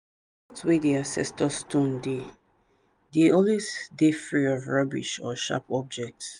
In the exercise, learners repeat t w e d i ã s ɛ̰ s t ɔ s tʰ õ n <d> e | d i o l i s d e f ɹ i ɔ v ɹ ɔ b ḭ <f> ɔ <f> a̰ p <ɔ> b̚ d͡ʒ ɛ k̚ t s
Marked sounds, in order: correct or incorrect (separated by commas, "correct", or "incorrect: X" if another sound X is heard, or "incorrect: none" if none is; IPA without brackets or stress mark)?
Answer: correct, incorrect: ʃ, incorrect: ʃ, correct